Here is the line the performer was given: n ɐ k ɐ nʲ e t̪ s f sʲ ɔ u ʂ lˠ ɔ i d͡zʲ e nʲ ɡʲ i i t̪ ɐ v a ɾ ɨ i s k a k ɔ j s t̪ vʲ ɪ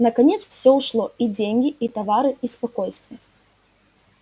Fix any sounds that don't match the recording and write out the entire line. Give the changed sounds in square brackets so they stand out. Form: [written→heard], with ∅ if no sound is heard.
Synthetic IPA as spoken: n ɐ k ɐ nʲ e t̪ s f sʲ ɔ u ʂ lˠ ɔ i d͡zʲ e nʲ ɡʲ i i t̪ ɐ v a ɾ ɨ i s [k→p] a k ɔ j s t̪ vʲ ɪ